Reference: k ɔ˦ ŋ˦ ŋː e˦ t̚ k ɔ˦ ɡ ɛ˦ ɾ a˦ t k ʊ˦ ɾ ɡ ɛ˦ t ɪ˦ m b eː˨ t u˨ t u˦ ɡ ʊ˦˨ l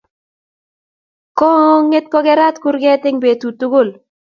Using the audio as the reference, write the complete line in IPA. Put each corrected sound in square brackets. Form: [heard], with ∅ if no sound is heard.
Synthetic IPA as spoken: k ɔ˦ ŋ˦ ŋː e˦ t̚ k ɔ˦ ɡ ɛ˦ ɾ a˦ t k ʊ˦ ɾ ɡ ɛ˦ t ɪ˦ [ŋ] b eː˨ t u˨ t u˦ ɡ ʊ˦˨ l